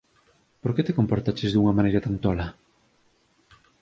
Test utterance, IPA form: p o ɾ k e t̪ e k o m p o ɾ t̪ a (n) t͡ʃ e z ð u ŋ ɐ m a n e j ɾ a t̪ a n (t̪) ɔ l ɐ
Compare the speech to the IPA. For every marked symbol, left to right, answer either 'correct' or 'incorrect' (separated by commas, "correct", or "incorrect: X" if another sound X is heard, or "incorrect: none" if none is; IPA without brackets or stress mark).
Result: incorrect: none, correct